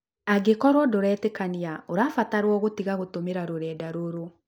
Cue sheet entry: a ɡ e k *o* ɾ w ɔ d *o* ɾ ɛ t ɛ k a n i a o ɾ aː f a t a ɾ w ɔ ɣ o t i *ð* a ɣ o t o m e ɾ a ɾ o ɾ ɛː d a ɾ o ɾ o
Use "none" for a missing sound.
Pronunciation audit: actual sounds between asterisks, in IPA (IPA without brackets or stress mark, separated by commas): ɔ, o, ɣ